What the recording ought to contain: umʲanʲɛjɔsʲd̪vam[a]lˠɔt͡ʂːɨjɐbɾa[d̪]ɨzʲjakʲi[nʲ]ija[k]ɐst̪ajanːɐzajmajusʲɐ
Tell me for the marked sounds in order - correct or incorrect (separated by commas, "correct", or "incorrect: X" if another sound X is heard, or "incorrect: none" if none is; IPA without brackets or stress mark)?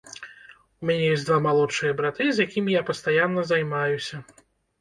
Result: correct, incorrect: t̪, incorrect: mʲ, incorrect: p